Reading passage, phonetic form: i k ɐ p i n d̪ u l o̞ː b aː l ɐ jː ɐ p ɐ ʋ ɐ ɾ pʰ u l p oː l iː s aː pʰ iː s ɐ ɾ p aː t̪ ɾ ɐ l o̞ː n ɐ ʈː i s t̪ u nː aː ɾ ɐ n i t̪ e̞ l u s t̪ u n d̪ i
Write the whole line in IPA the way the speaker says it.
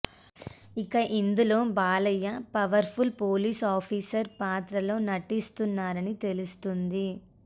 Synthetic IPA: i k ɐ ʔ i n d̪ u l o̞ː b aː l ɐ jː ɐ p ɐ ʋ ɐ ɾ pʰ u l p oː l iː s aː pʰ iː s ɐ ɾ p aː t̪ ɾ ɐ l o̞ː n ɐ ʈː i s t̪ u nː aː ɾ ɐ n i t̪ e̞ l u s t̪ u n d̪ i